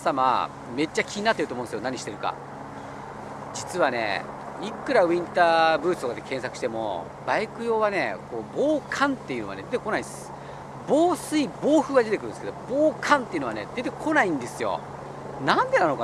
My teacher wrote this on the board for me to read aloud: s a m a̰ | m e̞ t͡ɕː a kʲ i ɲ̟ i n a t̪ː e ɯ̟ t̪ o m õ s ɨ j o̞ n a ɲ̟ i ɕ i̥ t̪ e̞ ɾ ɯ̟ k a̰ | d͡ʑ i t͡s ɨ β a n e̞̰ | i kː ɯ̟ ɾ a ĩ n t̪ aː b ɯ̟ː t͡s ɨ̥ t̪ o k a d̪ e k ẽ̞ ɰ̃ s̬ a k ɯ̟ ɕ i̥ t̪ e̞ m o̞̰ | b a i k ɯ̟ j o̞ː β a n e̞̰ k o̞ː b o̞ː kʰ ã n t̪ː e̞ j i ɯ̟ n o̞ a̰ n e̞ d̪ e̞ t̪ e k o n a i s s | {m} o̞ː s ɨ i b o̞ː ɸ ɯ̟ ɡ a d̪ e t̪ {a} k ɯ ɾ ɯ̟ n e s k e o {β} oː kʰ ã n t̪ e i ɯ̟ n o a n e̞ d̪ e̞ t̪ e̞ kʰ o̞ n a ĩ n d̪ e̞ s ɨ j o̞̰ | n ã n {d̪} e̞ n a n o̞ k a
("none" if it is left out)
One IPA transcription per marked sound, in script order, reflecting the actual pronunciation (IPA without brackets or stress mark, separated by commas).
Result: b, e, b, d̪